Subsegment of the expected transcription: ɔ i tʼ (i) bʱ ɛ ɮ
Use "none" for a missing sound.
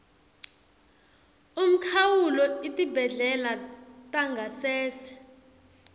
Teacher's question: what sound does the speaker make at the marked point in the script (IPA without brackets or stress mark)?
i